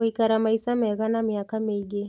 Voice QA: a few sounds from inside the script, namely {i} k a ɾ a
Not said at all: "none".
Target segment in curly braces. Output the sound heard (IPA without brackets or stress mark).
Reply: i